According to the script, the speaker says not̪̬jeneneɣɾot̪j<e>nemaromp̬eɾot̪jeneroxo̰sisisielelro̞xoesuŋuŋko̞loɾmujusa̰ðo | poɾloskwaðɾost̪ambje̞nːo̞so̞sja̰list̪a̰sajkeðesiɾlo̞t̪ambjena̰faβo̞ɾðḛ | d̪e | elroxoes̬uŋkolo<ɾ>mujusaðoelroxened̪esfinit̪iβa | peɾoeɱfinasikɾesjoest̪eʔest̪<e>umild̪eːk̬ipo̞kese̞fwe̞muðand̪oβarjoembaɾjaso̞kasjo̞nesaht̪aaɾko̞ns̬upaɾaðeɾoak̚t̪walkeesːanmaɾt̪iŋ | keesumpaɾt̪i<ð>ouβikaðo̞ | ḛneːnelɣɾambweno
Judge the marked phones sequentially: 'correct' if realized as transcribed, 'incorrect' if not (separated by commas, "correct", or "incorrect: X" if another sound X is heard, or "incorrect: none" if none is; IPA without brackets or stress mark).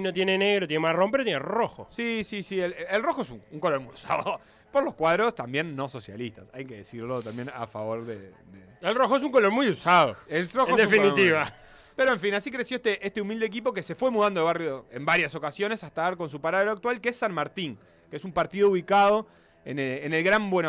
correct, correct, correct, correct